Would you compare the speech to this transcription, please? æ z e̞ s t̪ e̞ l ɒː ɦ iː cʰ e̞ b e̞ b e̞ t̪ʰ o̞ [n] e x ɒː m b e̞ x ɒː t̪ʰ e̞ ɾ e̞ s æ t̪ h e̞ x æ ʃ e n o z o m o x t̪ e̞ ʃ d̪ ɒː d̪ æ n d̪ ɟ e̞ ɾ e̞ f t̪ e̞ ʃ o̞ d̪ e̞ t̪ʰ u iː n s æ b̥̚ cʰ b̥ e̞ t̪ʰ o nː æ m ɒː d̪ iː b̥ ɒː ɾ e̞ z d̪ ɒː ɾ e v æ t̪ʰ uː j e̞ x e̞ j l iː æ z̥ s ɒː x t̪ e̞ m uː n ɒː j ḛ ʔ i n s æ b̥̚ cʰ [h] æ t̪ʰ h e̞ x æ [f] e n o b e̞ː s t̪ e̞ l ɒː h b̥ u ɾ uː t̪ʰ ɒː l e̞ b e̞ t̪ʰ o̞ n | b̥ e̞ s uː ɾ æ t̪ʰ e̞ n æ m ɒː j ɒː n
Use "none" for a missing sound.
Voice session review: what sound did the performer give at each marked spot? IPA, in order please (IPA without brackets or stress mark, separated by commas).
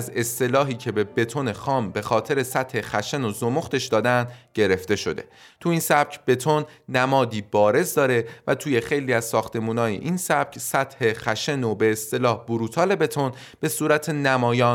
n, s, ʃ